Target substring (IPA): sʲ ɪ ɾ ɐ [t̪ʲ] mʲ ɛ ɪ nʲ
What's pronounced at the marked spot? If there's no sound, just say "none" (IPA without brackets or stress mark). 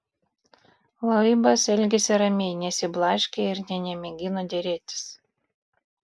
none